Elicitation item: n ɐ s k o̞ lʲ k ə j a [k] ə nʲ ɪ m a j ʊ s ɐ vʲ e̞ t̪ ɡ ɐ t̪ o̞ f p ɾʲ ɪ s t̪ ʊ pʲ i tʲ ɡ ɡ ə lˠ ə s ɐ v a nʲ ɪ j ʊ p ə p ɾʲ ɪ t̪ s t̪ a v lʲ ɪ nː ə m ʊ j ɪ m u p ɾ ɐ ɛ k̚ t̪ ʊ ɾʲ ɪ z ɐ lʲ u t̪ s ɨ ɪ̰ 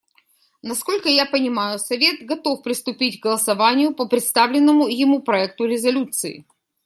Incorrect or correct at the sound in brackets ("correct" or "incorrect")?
incorrect